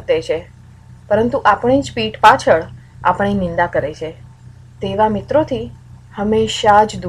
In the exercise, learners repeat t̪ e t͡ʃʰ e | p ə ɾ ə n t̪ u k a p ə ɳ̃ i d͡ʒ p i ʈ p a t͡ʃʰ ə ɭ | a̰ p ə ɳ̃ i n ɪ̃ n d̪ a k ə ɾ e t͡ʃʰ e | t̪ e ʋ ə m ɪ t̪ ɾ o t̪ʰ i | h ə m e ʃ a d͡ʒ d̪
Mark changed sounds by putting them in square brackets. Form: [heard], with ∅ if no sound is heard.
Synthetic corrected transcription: t̪ e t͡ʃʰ e | p ə ɾ ə n t̪ u [ʔ] a p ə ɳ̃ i d͡ʒ p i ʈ p a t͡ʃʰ ə ɭ | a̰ p ə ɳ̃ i n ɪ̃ n d̪ a k ə ɾ e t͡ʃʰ e | t̪ e ʋ [a] m ɪ t̪ ɾ o t̪ʰ i | h ə m e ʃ a d͡ʒ d̪